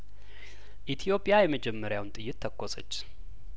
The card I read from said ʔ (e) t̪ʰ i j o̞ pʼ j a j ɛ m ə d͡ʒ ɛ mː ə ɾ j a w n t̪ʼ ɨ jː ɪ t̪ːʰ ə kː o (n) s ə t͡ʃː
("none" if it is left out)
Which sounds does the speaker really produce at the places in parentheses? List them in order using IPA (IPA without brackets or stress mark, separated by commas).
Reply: i, none